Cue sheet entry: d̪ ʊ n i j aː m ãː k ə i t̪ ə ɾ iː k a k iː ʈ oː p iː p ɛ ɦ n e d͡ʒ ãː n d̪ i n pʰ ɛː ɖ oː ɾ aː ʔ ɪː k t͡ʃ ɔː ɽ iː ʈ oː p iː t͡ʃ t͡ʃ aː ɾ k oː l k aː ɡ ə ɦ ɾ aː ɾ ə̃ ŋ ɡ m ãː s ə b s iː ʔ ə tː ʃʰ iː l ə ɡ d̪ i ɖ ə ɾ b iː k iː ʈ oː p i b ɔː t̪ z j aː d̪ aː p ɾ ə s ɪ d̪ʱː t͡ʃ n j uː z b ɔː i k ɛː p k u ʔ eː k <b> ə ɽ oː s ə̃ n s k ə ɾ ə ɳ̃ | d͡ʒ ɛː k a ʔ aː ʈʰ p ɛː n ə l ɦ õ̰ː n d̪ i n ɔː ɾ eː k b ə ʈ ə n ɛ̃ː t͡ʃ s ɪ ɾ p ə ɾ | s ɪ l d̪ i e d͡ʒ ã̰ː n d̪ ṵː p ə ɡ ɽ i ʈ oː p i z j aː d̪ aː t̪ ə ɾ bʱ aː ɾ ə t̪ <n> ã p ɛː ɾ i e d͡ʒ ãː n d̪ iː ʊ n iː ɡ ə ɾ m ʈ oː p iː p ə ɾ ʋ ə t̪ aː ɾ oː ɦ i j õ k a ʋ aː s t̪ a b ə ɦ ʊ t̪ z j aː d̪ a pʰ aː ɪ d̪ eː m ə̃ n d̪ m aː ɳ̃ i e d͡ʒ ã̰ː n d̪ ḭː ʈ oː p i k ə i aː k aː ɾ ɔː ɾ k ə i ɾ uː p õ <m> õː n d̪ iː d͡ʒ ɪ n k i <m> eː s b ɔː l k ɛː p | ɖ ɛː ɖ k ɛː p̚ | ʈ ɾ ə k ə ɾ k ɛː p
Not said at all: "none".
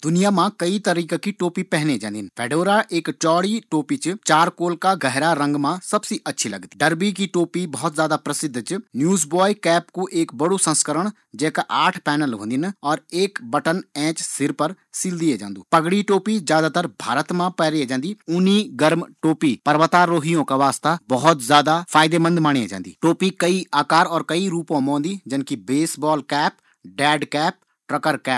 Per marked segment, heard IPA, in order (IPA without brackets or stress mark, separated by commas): b, m, m, b